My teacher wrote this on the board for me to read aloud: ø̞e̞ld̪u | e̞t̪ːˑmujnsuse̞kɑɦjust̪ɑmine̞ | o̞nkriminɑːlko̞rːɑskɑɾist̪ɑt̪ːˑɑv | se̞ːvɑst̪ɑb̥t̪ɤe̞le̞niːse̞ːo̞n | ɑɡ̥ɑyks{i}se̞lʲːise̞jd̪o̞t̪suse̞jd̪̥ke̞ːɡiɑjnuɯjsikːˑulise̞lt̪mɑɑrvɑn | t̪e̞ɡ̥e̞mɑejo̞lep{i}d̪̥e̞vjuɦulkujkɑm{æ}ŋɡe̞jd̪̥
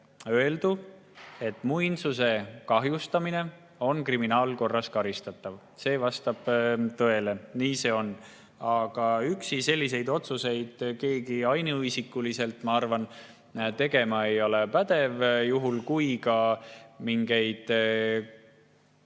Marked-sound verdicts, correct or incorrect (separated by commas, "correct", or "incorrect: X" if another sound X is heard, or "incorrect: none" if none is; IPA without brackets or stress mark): correct, incorrect: æ, incorrect: i